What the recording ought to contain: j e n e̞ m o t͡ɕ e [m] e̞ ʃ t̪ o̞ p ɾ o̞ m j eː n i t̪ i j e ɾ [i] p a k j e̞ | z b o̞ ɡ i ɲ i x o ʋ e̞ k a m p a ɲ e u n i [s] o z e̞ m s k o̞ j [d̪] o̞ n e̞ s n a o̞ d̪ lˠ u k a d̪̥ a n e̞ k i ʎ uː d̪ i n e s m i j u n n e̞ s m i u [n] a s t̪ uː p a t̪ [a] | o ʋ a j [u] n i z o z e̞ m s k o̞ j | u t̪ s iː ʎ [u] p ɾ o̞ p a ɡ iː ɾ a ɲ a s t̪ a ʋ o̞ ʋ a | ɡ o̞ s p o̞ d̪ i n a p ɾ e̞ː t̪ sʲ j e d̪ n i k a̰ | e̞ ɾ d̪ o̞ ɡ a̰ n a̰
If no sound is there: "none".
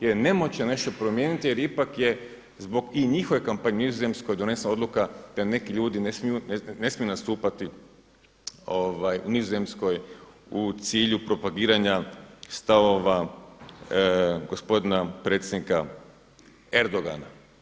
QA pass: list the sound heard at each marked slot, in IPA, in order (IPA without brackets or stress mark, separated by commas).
n, i, z, d̪, n, i, u, u